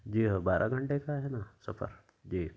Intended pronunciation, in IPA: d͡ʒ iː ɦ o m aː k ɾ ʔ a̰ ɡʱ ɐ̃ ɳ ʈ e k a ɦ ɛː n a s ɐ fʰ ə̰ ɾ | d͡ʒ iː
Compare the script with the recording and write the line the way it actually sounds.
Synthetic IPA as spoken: d͡ʒ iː ɦ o b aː ɾ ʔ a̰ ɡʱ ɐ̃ ɳ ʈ e k a ɦ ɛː n a s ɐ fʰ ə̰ ɾ | d͡ʒ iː